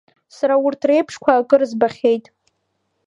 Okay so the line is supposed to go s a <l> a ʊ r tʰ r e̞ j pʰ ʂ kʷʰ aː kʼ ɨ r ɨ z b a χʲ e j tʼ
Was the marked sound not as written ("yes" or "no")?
yes